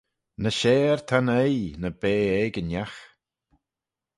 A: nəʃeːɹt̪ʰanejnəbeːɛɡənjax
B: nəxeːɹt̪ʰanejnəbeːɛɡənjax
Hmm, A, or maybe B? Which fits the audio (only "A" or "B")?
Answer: A